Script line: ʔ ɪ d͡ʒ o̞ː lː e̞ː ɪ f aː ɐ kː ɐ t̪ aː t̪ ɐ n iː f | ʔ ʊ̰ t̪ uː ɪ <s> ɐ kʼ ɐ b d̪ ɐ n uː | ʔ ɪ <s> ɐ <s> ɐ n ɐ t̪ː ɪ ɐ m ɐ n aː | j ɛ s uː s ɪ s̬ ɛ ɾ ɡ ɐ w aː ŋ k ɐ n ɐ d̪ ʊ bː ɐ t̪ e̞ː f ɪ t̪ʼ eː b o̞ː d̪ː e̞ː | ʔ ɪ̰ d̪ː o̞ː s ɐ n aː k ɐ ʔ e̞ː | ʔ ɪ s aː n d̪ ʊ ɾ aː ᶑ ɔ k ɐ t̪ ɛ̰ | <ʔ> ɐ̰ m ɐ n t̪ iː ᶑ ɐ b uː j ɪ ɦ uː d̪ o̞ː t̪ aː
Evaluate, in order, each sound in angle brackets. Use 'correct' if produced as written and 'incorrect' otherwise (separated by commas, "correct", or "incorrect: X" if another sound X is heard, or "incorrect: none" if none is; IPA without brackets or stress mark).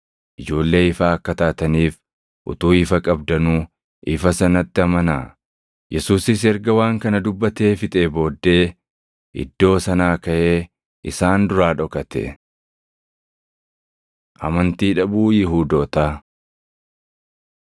incorrect: f, incorrect: f, correct, correct